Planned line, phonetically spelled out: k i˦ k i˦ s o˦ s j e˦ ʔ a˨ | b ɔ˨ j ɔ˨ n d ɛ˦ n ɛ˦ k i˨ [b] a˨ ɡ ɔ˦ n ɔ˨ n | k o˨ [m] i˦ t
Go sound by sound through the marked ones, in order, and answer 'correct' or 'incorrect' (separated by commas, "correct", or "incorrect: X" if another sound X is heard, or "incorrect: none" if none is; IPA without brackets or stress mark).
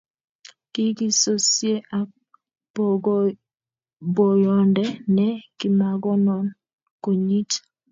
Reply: incorrect: m, incorrect: ɲ